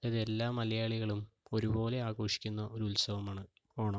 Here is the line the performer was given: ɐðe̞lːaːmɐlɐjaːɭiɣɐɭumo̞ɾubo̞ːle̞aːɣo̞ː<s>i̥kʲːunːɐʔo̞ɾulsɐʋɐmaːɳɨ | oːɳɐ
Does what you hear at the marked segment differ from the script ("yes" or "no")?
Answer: yes